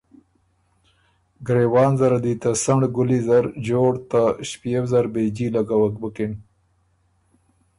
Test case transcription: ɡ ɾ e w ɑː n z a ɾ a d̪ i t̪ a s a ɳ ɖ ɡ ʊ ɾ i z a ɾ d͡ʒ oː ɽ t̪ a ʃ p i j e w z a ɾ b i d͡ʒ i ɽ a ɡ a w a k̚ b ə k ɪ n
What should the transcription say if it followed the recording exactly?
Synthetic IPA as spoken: ɡ ɾ e w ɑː n z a ɾ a d̪ i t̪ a s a ɳ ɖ ɡ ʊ l i z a ɾ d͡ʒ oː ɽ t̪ a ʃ p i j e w z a ɾ b e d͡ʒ i l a ɡ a w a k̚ b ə k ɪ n